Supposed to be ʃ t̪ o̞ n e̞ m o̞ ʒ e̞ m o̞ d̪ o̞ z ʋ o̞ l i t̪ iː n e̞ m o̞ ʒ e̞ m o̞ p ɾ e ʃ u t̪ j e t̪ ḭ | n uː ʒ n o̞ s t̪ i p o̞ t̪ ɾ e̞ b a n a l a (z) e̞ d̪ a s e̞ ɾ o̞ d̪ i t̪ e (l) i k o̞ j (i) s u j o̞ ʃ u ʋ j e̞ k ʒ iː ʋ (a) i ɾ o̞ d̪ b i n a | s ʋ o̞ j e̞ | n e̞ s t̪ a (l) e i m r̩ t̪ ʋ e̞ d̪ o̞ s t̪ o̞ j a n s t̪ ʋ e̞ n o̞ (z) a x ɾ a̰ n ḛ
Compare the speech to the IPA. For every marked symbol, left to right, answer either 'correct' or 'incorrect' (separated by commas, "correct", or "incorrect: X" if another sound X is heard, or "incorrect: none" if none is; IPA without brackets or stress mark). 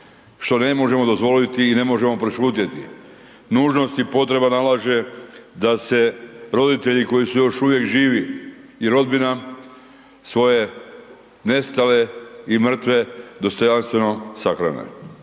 incorrect: ʒ, incorrect: ʎ, correct, incorrect: i, correct, incorrect: s